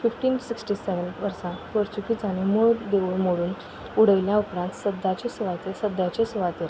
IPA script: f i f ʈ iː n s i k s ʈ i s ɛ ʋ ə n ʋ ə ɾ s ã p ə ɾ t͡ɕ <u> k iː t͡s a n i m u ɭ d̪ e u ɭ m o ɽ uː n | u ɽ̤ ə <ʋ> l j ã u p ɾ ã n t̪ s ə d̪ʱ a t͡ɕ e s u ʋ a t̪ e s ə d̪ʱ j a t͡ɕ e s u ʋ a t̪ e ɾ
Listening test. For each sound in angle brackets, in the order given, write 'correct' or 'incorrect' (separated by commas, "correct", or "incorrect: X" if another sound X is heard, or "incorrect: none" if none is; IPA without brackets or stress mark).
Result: correct, correct